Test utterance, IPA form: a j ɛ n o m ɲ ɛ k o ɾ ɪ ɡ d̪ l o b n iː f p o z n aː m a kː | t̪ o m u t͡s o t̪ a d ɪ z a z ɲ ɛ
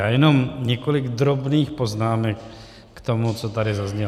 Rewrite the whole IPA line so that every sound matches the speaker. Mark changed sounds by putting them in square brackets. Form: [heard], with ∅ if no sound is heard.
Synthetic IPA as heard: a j ɛ n o m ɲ ɛ k o [l] ɪ ɡ d̪ [ɾ] o b n iː [x] p o z n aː m [ɛ] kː | t̪ o m u t͡s o t̪ a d ɪ z a z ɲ ɛ

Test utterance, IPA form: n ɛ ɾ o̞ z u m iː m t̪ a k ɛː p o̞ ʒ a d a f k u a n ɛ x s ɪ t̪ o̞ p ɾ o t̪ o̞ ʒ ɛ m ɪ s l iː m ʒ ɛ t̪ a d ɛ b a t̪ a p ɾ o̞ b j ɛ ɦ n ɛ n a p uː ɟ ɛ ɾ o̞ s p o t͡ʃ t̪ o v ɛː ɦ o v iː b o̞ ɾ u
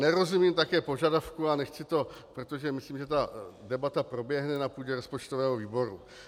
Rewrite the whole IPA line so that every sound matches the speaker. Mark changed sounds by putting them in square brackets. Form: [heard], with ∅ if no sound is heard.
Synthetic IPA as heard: n ɛ ɾ o̞ z u m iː m t̪ a k ɛː p o̞ ʒ a d a f k u a n ɛ x [t͡s] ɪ t̪ o̞ p ɾ o t̪ o̞ ʒ ɛ m ɪ s l iː m ʒ ɛ t̪ a d ɛ b a t̪ a p ɾ o̞ b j ɛ ɦ n ɛ n a p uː ɟ ɛ ɾ o̞ s p o t͡ʃ t̪ o v ɛː ɦ o v iː b o̞ ɾ u

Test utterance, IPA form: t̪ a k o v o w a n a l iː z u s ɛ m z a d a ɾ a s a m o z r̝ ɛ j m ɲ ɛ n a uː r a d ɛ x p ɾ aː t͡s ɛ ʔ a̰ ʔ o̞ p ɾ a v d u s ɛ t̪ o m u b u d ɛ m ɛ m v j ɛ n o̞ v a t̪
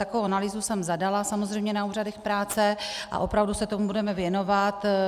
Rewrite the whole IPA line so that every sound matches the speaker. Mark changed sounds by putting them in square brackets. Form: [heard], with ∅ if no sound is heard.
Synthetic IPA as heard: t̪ a k o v o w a n a l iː z u s ɛ m z a d a [l] a s a m o z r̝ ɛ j m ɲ ɛ n a uː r a d ɛ x p ɾ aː t͡s ɛ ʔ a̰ ʔ o̞ p ɾ a v d u s ɛ t̪ o m u b u d ɛ m ɛ [∅] v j ɛ n o̞ v a t̪

